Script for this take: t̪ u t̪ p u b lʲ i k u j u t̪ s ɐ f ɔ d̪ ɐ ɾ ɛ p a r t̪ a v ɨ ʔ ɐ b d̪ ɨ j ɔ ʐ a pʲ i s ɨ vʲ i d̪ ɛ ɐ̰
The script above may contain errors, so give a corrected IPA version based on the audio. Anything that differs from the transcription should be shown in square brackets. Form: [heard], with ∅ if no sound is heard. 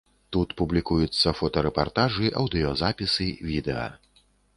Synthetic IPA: t̪ u t̪ p u b lʲ i k u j u t̪ [sː] ɐ f ɔ [t̪] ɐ ɾ ɛ p a r t̪ a [ʐ] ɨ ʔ ɐ [w] d̪ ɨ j ɔ [z] a pʲ i s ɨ vʲ i d̪ ɛ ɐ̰